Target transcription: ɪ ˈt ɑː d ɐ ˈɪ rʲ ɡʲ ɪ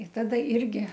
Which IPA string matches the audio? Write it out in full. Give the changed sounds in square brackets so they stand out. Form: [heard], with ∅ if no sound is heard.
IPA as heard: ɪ ˈt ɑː d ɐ ˈɪ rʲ ɡʲ ɪ

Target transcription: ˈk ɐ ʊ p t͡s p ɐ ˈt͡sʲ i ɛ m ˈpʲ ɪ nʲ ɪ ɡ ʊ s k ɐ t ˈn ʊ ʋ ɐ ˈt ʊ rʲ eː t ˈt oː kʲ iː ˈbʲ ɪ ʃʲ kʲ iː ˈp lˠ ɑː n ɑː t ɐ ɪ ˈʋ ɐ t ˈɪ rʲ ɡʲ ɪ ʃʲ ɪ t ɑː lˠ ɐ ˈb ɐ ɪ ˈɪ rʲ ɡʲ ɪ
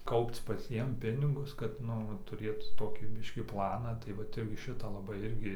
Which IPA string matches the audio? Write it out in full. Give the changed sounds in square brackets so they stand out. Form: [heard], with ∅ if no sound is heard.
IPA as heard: ˈk ɐ ʊ p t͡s p ɐ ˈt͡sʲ i ɛ m ˈpʲ ɪ nʲ ɪ ɡ ʊ s k ɐ t ˈn ʊ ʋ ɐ ˈt ʊ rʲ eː t ˈt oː kʲ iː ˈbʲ ɪ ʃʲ kʲ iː ˈp lˠ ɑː n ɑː t ɐ ɪ ˈʋ ɐ t ˈɪ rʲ ɡʲ ɪ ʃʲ ɪ t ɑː lˠ ɐ ˈb ɐ ɪ ˈɪ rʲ ɡʲ ɪ

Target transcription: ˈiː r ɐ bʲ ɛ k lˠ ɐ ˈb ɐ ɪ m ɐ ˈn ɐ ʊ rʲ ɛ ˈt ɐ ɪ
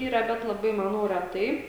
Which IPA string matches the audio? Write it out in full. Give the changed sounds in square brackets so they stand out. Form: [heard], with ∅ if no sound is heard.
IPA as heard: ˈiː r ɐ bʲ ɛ [t] lˠ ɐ ˈb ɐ ɪ m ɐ ˈn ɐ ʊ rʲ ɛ ˈt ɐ ɪ

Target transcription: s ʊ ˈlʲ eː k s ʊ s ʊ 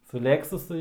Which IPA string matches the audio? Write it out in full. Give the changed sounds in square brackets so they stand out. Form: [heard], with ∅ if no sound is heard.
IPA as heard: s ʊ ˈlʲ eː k s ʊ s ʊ

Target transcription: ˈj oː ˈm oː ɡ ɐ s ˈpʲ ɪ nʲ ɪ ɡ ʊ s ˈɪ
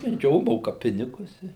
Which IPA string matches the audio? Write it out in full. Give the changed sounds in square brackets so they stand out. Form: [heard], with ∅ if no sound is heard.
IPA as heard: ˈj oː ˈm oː [k] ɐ [∅] ˈpʲ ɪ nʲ ɪ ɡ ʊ s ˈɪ

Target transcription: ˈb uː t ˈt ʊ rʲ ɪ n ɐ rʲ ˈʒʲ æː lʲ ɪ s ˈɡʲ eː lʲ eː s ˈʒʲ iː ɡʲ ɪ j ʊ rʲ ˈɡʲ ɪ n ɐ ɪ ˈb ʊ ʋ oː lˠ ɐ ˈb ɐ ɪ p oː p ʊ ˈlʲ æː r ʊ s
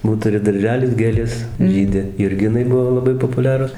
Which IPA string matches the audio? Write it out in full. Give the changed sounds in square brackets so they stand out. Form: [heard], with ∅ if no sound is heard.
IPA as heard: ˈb uː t ˈt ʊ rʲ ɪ [d] ɐ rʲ ˈʒʲ æː lʲ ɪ s ˈɡʲ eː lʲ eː s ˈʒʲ iː [dʲ] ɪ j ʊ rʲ ˈɡʲ ɪ n ɐ ɪ ˈb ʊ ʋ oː lˠ ɐ ˈb ɐ ɪ p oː p ʊ ˈlʲ æː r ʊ s

